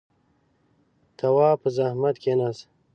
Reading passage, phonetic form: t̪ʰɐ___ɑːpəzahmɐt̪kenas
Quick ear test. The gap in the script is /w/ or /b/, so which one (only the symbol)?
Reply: w